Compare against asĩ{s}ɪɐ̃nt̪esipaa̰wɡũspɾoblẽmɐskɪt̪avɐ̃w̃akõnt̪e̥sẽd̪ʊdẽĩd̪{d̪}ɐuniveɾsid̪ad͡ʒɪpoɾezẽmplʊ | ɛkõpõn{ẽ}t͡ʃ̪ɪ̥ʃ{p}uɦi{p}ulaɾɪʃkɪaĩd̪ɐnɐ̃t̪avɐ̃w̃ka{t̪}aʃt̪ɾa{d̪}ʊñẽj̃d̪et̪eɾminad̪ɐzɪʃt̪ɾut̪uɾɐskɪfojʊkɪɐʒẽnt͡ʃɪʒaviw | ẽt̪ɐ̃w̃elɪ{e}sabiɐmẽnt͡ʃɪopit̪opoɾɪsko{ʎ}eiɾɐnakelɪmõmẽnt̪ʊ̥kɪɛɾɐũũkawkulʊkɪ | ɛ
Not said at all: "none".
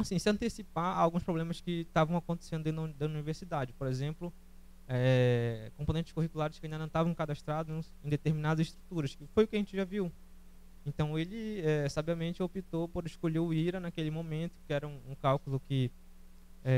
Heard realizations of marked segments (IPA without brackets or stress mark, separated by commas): s, d̪, ẽ, k, k, d̪, d̪, ɛ, ʎ